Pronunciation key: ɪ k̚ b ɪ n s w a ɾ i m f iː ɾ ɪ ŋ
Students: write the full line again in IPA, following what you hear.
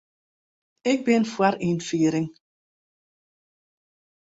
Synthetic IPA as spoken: ɪ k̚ b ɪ n f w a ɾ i n f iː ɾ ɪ ŋ